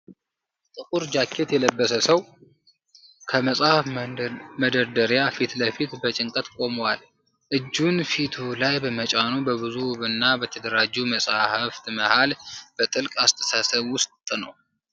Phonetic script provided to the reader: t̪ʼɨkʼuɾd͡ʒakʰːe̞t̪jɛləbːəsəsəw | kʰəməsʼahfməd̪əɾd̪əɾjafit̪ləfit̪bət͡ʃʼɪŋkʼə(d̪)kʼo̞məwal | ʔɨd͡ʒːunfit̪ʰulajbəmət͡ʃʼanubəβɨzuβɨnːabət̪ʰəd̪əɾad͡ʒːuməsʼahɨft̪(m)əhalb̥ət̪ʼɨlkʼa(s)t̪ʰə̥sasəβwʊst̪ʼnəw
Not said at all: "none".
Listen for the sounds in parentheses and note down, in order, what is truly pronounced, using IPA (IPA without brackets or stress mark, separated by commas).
t̪, m, s